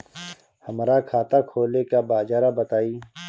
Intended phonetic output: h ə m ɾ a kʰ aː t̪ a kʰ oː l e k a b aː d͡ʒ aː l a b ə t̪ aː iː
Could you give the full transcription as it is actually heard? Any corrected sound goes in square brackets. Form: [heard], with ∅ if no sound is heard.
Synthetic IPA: h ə m ɾ a kʰ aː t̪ a kʰ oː l e k a b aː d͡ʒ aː [ɾ] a b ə t̪ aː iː